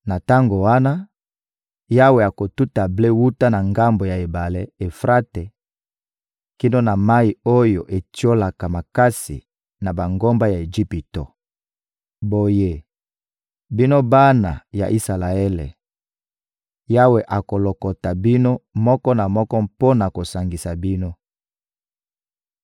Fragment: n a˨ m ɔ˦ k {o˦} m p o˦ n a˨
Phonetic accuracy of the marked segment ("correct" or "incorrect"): incorrect